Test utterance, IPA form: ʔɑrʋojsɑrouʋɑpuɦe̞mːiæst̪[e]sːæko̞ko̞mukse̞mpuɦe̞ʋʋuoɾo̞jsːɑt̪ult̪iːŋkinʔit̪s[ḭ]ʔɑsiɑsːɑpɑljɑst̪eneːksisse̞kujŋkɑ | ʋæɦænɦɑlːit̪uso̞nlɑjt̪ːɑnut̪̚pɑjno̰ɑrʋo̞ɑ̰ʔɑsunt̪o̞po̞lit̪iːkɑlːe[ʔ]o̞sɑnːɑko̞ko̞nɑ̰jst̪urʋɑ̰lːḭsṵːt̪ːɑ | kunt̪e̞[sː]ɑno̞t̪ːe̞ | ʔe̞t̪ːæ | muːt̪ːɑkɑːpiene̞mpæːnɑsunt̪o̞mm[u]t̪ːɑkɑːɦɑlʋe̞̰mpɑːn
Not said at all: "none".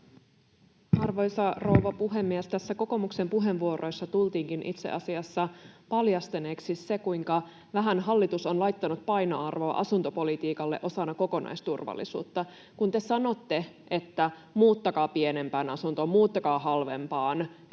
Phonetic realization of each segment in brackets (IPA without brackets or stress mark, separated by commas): æ, ḛ, ʔ, s, uː